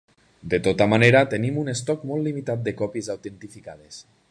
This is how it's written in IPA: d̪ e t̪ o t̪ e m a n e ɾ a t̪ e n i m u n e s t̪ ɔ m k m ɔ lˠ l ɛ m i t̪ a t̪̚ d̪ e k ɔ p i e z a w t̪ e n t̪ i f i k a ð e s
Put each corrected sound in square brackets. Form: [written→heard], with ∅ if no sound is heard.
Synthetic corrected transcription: d̪ e t̪ o t̪ [e→a] m a n e ɾ a t̪ e n i m u n e s t̪ ɔ [m→∅] k m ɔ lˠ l [ɛ→i] m i t̪ a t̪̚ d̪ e k ɔ p i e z a w t̪ e n t̪ i f i k a ð e s